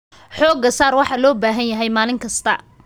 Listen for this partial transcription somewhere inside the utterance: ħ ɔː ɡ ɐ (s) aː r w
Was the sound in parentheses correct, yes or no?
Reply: yes